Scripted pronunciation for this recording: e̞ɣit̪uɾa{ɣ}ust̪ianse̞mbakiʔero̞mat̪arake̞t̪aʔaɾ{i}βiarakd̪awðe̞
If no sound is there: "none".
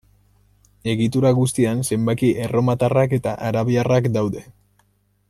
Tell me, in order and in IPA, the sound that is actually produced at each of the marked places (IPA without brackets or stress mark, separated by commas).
ɣ, a